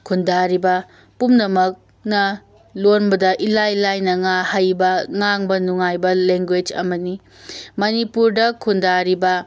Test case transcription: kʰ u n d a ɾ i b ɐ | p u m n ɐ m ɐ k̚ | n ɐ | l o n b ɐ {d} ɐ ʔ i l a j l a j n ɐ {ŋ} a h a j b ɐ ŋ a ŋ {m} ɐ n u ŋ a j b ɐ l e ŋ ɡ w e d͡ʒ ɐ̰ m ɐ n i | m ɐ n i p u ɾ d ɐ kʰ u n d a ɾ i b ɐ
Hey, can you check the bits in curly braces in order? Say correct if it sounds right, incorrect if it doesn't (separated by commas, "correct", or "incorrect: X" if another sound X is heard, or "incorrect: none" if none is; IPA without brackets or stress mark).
correct, correct, incorrect: b